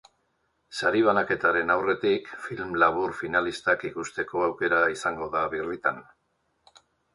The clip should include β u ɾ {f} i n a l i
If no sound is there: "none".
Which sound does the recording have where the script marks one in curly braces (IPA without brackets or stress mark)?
f